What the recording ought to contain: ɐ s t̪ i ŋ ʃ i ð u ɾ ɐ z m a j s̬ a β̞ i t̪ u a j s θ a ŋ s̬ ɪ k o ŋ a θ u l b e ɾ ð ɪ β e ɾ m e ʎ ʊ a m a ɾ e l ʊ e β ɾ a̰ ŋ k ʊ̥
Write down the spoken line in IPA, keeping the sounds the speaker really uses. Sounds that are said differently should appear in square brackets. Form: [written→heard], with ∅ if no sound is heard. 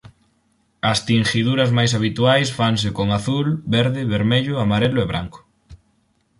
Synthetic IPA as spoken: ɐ s t̪ i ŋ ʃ i ð u ɾ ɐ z m a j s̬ a β̞ i t̪ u a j s [θ→f] a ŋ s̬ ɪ k o ŋ a θ u l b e ɾ ð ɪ β e ɾ m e ʎ ʊ a m a ɾ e l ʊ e β ɾ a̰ ŋ k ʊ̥